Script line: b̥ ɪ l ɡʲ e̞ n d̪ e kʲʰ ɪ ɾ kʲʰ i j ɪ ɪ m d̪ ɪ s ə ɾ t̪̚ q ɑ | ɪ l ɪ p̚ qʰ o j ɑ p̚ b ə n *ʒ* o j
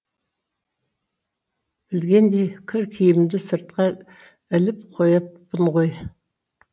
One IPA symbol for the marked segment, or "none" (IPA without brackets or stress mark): ʁ